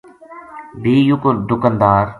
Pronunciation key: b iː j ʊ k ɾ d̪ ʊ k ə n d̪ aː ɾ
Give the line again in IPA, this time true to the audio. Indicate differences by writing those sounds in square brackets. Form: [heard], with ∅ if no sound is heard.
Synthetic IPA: b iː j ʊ k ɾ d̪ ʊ k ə n d̪ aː ɾ